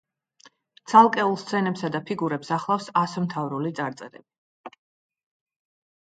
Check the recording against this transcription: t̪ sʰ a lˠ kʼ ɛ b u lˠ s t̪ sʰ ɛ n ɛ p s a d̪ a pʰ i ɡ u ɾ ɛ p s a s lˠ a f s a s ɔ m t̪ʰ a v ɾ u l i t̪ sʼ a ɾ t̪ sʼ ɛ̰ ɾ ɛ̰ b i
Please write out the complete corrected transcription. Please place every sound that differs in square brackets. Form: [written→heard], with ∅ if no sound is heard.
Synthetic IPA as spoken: t̪ sʰ a lˠ kʼ ɛ [b→∅] u lˠ s t̪ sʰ ɛ n ɛ p s a d̪ a pʰ i ɡ u ɾ ɛ p s a [s→χ] lˠ a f s a s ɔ m t̪ʰ a v ɾ u l i t̪ sʼ a ɾ t̪ sʼ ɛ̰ ɾ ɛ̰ b i